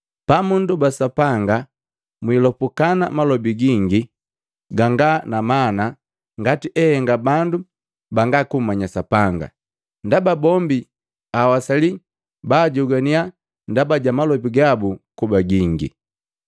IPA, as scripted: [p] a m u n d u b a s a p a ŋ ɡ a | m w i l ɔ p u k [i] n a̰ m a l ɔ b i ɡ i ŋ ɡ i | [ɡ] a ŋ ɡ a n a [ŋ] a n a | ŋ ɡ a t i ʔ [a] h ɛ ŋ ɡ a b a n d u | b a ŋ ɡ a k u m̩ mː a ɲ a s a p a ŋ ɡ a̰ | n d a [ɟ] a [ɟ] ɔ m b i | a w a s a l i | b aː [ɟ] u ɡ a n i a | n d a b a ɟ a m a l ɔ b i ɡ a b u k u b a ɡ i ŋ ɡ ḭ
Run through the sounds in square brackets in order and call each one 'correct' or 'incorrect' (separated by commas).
correct, incorrect, correct, incorrect, incorrect, incorrect, incorrect, correct